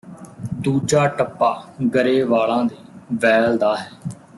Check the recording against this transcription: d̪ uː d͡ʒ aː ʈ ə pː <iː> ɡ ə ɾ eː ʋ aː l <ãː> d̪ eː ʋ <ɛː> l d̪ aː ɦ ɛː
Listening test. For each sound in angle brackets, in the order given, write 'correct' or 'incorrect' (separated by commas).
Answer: incorrect, correct, correct